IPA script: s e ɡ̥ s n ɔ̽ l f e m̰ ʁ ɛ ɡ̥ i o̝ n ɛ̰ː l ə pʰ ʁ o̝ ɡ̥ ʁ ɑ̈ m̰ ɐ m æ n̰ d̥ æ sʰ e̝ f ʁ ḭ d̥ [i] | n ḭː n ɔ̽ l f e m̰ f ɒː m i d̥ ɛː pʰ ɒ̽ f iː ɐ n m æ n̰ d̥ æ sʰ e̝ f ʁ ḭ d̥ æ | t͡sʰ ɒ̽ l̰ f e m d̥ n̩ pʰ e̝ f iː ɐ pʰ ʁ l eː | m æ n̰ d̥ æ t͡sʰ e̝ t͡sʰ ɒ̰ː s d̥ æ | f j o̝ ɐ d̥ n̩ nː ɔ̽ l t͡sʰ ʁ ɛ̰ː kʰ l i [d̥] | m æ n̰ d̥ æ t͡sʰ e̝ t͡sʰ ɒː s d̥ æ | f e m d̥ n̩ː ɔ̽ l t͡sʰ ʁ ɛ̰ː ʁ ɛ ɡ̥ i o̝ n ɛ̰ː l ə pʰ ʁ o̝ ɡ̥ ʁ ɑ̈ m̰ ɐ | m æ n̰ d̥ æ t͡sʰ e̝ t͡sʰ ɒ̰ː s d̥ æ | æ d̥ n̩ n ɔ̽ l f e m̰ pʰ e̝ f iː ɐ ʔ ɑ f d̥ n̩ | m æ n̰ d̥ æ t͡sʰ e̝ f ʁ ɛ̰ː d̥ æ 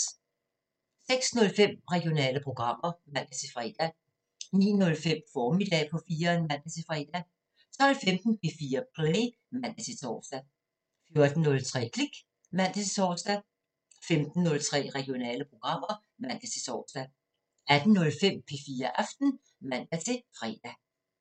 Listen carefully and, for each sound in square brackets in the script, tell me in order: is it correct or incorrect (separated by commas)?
incorrect, incorrect